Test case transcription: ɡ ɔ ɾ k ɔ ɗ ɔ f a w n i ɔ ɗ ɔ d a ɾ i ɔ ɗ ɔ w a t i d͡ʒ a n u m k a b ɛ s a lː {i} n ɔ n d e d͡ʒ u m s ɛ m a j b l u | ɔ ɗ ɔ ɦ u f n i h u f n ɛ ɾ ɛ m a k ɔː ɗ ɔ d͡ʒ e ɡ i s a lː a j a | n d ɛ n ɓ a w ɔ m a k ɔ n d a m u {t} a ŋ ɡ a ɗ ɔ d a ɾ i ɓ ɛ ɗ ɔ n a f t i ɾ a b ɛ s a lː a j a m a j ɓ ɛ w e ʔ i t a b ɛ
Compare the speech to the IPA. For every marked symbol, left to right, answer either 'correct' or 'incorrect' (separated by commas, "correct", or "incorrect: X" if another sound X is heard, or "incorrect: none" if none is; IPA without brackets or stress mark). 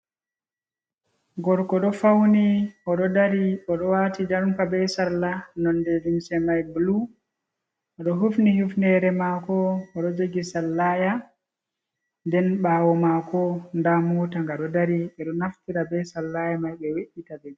incorrect: a, correct